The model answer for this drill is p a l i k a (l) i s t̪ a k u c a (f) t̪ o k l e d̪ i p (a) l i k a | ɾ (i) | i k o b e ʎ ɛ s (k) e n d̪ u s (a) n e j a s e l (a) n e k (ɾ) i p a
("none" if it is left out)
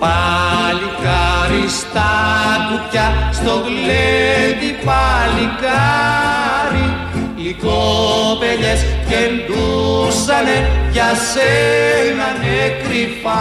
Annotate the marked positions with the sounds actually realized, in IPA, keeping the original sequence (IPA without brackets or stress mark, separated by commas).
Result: ɾ, s, a, i, k, a, a, ɾ